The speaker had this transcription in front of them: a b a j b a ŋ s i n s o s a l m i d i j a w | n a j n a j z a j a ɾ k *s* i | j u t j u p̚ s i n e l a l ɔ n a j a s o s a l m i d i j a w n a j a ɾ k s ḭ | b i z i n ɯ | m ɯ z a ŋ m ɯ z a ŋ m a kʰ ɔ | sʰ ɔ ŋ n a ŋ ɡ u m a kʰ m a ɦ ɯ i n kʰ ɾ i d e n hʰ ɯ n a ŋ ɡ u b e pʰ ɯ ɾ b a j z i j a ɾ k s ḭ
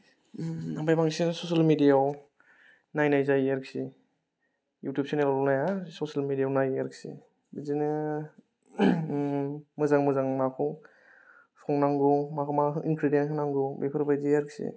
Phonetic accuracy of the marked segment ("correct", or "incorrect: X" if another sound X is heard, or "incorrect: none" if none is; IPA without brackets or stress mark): correct